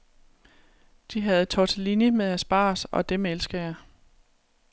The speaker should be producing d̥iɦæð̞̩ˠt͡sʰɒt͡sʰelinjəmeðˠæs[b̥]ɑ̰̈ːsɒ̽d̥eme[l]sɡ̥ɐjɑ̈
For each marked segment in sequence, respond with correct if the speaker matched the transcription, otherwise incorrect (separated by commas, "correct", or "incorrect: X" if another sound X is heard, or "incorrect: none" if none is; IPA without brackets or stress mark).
correct, correct